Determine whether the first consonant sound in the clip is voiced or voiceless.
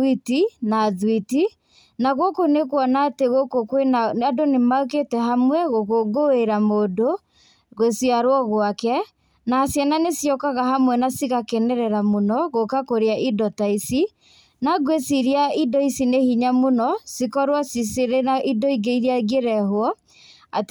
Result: voiceless